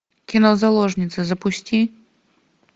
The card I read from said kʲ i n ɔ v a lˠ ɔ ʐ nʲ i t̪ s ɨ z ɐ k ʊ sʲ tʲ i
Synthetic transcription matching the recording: kʲ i n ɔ z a lˠ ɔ ʐ nʲ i t̪ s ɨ z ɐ p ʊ sʲ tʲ i